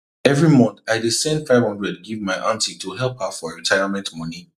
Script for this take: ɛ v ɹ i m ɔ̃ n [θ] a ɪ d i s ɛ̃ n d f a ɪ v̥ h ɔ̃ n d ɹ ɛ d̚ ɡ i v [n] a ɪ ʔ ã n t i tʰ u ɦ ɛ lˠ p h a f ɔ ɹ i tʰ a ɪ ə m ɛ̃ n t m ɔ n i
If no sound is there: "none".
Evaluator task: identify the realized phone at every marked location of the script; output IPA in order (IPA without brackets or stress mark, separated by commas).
θ, m